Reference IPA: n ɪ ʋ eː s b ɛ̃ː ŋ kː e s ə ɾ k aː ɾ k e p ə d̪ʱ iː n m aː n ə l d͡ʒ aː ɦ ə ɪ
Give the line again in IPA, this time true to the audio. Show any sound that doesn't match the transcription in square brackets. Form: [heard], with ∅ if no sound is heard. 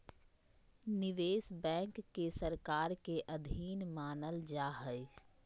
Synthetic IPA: n ɪ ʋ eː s b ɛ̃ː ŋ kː e s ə ɾ k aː ɾ k e [ʔ] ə d̪ʱ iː n m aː n ə l d͡ʒ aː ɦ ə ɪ